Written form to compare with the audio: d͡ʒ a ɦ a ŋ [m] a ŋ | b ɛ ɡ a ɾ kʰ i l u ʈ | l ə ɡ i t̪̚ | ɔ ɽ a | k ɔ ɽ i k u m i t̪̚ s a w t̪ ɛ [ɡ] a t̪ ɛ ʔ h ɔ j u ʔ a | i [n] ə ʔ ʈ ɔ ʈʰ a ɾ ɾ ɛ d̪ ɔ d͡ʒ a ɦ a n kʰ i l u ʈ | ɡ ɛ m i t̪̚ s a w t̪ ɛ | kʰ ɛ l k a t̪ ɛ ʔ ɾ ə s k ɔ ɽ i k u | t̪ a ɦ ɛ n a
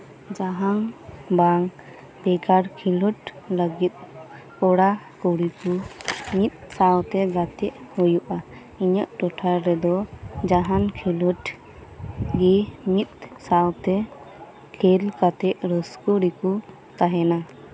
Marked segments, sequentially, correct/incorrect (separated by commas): incorrect, correct, incorrect